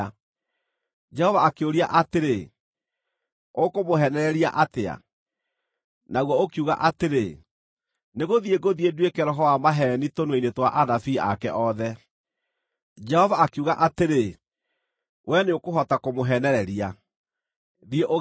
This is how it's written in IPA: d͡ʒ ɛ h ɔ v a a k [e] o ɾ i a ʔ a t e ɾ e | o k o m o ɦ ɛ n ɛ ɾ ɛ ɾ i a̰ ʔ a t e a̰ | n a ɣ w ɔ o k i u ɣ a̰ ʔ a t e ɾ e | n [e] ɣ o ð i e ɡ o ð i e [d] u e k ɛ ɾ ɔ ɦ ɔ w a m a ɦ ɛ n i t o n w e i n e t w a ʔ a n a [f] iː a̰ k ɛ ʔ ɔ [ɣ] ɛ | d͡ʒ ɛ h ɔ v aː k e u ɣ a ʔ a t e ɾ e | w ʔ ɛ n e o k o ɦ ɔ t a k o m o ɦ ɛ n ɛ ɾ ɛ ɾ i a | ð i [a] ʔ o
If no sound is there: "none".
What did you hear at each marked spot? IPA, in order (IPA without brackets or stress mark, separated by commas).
e, e, d, f, ð, e